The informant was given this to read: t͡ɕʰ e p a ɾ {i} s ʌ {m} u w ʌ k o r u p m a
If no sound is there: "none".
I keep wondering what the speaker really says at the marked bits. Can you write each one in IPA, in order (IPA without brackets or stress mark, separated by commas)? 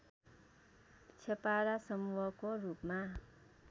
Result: a, m